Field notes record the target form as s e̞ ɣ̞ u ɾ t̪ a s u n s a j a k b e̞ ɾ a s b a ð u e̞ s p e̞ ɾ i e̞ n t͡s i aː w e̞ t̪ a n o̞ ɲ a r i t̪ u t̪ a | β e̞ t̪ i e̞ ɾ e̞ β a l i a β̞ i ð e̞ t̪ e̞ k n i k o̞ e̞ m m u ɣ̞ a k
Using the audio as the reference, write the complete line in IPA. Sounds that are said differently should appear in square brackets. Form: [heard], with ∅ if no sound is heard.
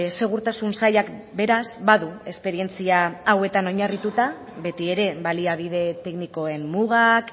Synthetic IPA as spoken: s e̞ ɣ̞ u ɾ t̪ a s u n s a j a k b e̞ ɾ a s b a ð u e̞ s p e̞ ɾ i e̞ n t͡s i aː w e̞ t̪ a n o̞ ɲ a r i t̪ u t̪ a | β e̞ t̪ i e̞ ɾ e̞ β a l i a β̞ i ð e̞ t̪ e̞ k n i k o̞ e̞ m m u ɣ̞ a k